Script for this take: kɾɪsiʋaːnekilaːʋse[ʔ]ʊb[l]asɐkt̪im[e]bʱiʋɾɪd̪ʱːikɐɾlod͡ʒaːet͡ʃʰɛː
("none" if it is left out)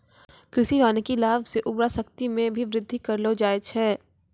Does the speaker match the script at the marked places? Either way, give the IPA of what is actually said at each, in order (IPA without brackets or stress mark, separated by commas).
ʔ, ɾ, ẽ